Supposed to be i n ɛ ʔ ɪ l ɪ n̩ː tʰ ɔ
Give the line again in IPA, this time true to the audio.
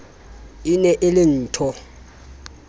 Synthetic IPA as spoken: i n ɛ ʔ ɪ l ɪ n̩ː tʰ ɔ